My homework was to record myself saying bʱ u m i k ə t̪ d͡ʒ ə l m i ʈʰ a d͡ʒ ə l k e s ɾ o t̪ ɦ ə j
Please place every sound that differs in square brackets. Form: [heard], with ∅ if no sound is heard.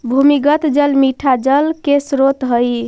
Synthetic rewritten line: bʱ u m i [ɡ] ə t̪ d͡ʒ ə l m i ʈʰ a d͡ʒ ə l k e s ɾ o t̪ ɦ ə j